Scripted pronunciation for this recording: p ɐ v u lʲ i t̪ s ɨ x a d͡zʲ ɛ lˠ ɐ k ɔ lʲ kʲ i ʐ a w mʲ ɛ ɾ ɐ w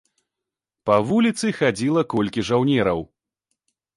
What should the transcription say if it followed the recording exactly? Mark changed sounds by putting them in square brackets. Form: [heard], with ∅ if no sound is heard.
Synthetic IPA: p ɐ v u lʲ i t̪ s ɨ x a d͡zʲ [i] lˠ ɐ k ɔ lʲ kʲ i ʐ a w [nʲ] ɛ ɾ ɐ w